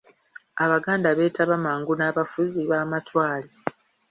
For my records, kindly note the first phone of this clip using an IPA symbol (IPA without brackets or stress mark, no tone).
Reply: a